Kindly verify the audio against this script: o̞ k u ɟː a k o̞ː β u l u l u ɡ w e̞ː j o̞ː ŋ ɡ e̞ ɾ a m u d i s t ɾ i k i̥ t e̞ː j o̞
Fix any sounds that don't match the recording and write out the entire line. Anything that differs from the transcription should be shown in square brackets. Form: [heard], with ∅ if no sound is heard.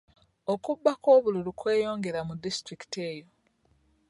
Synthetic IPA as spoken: o̞ k u [bː] a k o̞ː β u l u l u [k] w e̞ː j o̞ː ŋ ɡ e̞ ɾ a m u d i s t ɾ i k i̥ t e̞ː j o̞